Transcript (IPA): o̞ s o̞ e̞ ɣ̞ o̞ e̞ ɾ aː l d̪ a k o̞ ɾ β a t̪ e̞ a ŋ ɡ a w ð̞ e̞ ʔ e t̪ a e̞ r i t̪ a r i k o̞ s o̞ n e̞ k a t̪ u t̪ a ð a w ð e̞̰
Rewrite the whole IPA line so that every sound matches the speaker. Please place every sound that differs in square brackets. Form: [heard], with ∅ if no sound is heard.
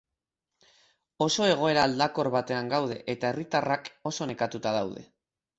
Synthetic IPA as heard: o̞ s o̞ e̞ ɣ̞ o̞ e̞ ɾ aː l d̪ a k o̞ ɾ β a t̪ e̞ a ŋ ɡ a w ð̞ e̞ ʔ e t̪ a e̞ r i t̪ a r [a] k o̞ s o̞ n e̞ k a t̪ u t̪ a ð a w ð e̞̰